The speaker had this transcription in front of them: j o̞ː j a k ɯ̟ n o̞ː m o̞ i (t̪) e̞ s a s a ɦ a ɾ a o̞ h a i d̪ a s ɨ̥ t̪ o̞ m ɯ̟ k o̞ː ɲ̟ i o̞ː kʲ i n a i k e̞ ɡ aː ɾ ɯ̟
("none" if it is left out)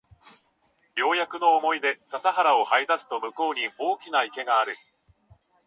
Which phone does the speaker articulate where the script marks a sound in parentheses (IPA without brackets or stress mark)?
d̪